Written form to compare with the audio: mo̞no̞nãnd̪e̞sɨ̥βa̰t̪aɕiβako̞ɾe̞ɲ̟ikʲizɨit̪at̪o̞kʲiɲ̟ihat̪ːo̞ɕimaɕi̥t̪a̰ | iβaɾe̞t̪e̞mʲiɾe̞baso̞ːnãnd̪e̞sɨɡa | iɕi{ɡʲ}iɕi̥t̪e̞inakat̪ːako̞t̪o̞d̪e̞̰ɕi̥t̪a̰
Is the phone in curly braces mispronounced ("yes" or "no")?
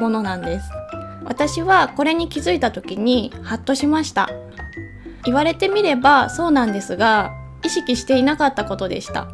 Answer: yes